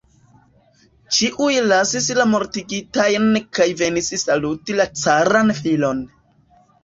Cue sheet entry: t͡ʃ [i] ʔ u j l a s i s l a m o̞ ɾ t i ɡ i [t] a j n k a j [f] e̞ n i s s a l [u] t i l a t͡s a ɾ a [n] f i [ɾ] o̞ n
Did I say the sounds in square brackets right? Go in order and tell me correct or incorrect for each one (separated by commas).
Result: correct, correct, incorrect, correct, correct, incorrect